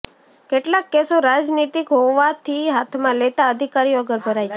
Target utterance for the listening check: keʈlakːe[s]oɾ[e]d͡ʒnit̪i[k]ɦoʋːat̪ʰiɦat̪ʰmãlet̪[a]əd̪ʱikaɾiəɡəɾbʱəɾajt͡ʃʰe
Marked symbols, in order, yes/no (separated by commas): yes, no, yes, yes